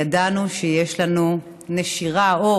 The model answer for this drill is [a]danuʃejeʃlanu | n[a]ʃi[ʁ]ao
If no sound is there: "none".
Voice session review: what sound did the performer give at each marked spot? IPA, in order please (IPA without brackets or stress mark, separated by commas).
a, e, ʁ